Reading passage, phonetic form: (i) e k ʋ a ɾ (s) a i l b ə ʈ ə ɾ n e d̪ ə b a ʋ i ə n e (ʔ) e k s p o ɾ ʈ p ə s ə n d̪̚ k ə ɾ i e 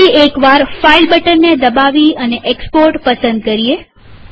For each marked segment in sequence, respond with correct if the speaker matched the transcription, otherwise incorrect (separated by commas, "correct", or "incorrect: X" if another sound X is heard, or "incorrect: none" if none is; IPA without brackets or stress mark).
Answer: correct, incorrect: f, correct